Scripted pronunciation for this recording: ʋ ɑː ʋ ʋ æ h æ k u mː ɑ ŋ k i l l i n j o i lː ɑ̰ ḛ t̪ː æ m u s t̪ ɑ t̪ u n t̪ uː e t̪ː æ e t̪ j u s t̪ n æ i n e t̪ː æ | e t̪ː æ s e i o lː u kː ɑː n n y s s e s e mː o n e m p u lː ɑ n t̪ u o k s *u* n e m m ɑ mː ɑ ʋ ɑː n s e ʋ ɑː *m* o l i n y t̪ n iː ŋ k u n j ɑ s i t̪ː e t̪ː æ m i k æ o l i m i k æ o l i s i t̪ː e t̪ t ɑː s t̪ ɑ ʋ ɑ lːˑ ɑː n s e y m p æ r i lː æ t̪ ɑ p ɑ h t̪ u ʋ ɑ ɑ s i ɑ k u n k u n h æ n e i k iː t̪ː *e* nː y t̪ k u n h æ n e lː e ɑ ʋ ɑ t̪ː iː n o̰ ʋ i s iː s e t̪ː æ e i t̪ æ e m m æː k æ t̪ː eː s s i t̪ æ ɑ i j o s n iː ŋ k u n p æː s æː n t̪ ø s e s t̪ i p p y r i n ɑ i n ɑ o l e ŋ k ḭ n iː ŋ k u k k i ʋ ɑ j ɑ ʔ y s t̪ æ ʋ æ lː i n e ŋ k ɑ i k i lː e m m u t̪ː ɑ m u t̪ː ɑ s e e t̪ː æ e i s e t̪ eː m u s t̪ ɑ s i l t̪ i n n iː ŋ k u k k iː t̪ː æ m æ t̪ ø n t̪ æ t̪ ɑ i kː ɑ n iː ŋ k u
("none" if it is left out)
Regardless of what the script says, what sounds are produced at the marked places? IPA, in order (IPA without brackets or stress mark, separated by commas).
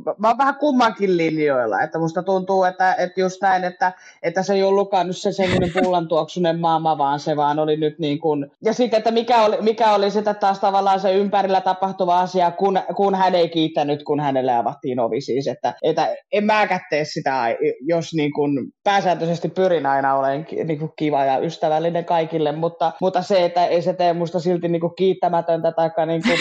u, n, æ